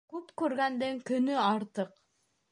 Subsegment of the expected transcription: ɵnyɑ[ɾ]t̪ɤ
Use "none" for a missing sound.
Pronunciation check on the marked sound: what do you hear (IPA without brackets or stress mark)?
ɾ